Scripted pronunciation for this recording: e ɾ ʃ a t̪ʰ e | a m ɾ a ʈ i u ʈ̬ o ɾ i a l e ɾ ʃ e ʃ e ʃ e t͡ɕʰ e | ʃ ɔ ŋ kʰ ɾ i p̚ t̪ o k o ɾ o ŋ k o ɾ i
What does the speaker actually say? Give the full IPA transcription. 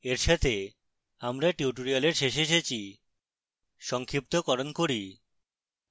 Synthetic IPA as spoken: e ɾ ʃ a t̪ʰ e | a m ɾ a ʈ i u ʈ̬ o ɾ i a l e ɾ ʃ e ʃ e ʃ e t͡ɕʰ i | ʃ ɔ ŋ kʰ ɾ i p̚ t̪ o k ɔ ɾ o n k o ɾ i